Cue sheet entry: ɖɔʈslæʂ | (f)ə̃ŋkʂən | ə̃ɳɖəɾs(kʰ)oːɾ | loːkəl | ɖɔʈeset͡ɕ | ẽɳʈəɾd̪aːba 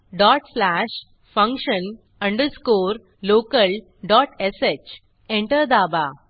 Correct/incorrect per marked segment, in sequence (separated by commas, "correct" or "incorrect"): correct, incorrect